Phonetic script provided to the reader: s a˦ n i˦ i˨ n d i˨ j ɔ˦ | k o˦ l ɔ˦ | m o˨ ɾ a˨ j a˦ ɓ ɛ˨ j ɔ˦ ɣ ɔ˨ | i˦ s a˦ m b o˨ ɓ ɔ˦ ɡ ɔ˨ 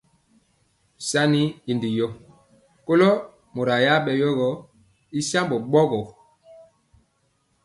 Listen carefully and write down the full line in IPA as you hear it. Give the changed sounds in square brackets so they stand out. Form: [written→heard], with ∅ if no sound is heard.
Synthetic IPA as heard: s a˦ n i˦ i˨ n d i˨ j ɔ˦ | k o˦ l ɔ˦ | m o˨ ɾ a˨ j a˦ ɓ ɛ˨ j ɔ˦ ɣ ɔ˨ | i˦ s a˦ m b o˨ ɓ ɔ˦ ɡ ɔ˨

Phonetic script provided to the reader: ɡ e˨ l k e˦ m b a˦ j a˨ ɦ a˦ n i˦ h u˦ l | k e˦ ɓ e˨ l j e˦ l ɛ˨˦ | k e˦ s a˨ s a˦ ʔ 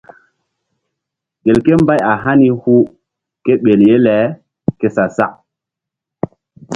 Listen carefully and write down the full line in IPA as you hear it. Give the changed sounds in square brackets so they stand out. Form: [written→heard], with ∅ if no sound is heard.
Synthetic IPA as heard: ɡ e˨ l k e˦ m b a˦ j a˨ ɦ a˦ n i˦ h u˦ [l→∅] | k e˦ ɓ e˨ l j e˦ l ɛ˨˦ | k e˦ s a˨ s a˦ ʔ

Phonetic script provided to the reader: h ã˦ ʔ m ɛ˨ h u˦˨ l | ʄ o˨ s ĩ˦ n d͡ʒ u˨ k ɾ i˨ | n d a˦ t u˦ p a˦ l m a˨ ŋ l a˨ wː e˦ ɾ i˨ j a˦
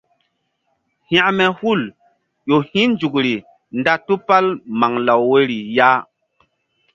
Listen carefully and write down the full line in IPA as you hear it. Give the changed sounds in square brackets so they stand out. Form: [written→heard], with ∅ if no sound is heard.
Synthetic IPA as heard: h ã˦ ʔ m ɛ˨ h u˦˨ l | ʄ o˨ [s→h] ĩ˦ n d͡ʒ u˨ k ɾ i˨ | n d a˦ t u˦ p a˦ l m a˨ ŋ l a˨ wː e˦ ɾ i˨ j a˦

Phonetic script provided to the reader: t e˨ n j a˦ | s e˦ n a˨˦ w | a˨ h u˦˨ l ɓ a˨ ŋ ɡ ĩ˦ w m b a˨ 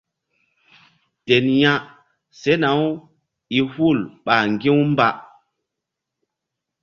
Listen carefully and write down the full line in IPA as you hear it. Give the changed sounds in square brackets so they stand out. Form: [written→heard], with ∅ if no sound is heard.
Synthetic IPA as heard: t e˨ n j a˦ | s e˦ n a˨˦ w | [a˨→i˨] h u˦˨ l ɓ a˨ ŋ ɡ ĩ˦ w m b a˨

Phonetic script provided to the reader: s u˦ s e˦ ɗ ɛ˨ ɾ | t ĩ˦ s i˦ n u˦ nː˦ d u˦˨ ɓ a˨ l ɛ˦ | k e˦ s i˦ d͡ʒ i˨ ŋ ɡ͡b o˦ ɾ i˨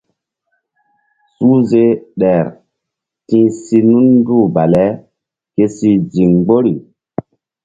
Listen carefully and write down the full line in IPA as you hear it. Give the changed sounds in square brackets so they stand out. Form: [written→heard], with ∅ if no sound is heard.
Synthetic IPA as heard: s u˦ [s→z] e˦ ɗ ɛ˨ ɾ | t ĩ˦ s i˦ n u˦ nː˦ d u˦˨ [ɓ→b] a˨ l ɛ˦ | k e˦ s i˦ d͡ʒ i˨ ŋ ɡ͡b o˦ ɾ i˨

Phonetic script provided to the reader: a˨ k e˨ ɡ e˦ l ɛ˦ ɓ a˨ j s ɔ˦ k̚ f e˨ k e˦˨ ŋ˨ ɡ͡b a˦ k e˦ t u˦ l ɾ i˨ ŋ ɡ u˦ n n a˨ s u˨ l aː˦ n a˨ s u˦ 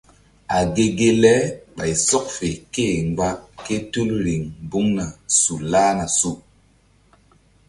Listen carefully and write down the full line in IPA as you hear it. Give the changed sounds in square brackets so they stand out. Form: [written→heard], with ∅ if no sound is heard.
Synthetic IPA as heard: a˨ [k→ɡ] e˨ ɡ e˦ l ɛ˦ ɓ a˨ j s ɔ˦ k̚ f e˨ k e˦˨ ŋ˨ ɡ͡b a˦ k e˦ t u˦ l ɾ i˨ ŋ [ɡ→b] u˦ [n→ŋ] n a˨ s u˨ l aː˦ n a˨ s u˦

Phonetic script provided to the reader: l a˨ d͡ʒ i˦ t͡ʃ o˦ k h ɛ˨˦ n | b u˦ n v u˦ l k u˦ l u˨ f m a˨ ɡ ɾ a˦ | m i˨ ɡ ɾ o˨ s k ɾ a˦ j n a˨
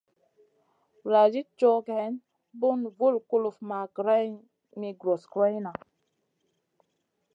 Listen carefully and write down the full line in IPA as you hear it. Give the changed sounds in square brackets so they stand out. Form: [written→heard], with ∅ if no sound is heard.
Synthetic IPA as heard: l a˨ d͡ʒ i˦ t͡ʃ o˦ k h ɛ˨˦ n | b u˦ n v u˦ l k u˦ l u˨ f m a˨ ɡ ɾ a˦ | m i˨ ɡ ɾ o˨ s k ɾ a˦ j n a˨

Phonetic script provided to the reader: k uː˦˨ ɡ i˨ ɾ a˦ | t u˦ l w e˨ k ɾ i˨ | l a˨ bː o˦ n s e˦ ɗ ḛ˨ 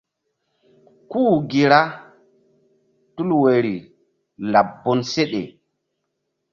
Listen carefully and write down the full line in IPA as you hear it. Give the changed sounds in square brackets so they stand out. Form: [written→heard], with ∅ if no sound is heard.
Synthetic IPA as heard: k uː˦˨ ɡ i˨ ɾ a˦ | t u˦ l w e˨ [k→∅] ɾ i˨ | l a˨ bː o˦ n s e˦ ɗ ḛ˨

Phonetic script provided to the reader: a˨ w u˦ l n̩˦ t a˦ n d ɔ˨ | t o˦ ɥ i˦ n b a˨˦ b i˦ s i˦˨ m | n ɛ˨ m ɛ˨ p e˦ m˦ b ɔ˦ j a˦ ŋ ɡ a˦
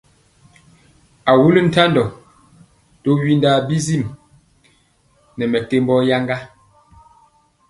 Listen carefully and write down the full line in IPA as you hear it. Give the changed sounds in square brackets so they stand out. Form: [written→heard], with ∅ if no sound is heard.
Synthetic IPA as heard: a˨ w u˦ l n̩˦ t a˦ n d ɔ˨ | t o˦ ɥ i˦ n [b→d] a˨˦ b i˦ [s→z] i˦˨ m | n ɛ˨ m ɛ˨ [p→t] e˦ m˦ b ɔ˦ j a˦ ŋ ɡ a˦

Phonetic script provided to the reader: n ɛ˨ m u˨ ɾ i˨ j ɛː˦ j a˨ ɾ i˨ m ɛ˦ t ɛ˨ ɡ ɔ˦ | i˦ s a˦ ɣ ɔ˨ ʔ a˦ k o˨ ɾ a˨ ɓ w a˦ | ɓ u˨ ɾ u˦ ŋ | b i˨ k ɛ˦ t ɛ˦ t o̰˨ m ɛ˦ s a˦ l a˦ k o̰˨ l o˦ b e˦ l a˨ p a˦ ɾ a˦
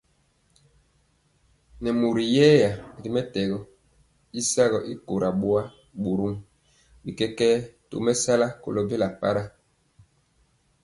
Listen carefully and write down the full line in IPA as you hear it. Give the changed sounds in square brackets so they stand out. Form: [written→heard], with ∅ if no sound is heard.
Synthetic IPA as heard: n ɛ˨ m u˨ ɾ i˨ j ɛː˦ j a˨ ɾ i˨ m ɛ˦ t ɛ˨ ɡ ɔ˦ | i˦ s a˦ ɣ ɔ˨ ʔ [a˦→i˦] k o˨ ɾ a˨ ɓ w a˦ | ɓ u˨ ɾ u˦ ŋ | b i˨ k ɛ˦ [t→k] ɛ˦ t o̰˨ m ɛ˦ s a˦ l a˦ k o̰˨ l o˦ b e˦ l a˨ p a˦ ɾ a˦

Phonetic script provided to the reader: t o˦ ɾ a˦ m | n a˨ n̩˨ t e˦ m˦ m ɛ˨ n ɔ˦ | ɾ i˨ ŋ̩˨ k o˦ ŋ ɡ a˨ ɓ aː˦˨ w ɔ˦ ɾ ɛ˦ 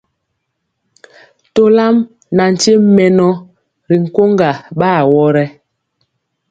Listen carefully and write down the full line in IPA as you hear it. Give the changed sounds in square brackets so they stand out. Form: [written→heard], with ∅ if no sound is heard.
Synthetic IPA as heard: t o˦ [ɾ→l] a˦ m | n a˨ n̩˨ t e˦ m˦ m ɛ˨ n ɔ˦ | ɾ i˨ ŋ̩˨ k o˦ ŋ ɡ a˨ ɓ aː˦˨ w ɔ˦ ɾ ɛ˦

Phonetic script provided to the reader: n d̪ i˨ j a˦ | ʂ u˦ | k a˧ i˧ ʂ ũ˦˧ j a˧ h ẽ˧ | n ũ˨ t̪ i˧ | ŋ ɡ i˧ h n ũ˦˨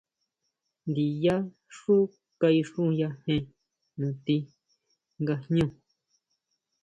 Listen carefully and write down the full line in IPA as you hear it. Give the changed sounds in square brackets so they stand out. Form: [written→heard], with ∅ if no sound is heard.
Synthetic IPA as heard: n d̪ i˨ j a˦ | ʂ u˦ | k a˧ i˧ ʂ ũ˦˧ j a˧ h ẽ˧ | n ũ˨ t̪ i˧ | ŋ ɡ [i˧→a˧] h [n→ɲ] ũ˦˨

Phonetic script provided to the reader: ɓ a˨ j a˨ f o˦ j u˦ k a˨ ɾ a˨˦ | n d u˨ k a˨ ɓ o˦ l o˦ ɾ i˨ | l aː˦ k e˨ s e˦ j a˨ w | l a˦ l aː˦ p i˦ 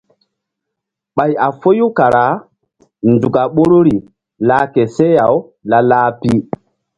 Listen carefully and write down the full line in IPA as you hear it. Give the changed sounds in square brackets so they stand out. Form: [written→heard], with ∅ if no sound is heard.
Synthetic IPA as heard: ɓ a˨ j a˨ f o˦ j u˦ k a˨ ɾ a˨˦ | n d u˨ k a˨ ɓ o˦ [l→ɾ] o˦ ɾ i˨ | l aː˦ k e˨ s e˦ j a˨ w | l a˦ l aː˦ p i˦

